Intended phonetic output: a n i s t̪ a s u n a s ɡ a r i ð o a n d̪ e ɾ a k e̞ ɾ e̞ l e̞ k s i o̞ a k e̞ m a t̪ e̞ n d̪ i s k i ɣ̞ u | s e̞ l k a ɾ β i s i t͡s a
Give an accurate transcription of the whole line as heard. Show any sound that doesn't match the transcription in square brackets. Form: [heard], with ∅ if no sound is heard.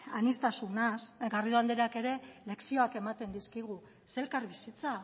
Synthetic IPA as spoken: a n i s t̪ a s u n a s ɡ a r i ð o a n d̪ e ɾ a k e̞ ɾ e̞ l e̞ k s i o̞ a k e̞ m a t̪ e̞ n d̪ i s k i ɣ̞ u | s e̞ l k a ɾ β i s i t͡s a